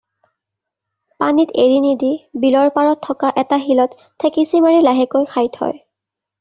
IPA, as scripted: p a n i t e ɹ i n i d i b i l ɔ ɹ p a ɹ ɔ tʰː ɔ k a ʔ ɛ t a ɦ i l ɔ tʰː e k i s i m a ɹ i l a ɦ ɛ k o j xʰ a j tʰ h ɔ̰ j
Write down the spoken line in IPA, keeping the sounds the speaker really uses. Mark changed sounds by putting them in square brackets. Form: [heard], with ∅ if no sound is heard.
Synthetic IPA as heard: p a n i t e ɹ i n i d i b i l ɔ ɹ p a ɹ ɔ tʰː ɔ k a ʔ ɛ t a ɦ i l ɔ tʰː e k i s i m a ɹ i l a ɦ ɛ k o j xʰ a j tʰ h ɔ̰ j